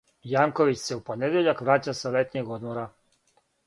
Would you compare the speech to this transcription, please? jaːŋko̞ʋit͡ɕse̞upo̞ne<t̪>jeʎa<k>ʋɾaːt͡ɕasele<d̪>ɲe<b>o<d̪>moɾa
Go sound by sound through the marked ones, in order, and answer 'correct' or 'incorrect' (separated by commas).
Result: incorrect, correct, incorrect, incorrect, correct